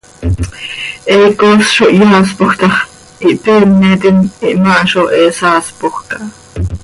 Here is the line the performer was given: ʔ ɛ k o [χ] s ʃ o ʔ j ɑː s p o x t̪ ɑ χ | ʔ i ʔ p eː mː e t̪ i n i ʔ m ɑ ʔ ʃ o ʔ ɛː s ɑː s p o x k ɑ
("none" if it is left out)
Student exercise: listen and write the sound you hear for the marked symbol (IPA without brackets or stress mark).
none